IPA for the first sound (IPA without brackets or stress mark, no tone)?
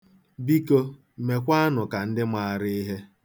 b